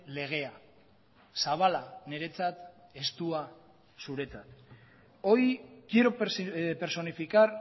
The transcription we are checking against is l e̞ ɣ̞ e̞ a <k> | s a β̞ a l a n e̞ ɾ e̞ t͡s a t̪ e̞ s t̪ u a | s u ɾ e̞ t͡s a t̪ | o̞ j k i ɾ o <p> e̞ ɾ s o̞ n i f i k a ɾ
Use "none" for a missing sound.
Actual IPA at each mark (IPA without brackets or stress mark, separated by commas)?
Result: none, p